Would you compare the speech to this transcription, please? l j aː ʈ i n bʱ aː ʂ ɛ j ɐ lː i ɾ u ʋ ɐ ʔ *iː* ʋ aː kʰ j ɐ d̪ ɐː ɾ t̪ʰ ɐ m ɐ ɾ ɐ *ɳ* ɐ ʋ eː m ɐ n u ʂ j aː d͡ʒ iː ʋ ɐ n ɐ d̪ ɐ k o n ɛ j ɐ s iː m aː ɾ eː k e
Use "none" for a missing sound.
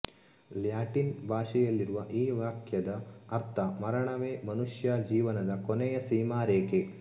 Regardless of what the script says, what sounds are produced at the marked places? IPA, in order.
iː, ɳ

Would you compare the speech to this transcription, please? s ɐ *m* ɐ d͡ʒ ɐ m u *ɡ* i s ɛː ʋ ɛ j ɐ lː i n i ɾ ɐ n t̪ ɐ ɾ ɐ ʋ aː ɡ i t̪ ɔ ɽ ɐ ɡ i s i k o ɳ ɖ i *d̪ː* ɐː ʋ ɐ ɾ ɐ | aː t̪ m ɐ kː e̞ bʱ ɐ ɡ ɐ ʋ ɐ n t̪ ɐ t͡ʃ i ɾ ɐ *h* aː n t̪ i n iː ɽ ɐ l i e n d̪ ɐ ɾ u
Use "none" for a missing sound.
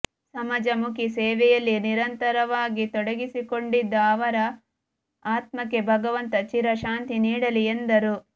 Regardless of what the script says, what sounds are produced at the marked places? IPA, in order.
m, k, d̪ː, ʃ

